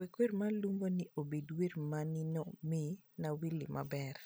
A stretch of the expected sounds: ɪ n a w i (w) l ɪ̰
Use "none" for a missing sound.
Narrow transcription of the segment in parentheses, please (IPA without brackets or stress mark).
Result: none